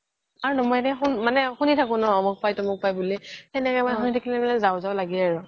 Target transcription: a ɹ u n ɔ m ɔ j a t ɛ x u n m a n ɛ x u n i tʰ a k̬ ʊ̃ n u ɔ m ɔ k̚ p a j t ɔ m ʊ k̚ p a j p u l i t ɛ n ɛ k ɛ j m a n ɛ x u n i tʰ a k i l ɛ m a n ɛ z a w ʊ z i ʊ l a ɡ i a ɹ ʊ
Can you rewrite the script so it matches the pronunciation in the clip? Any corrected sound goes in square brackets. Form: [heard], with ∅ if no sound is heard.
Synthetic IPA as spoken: a ɹ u n ɔ m ɔ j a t ɛ x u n m a n ɛ x u n i tʰ a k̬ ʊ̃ n [ɔ] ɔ m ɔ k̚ p a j t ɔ m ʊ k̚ p a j [b] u l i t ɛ n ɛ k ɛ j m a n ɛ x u n i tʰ a k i l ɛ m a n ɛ z a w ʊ z [a] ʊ l a ɡ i a ɹ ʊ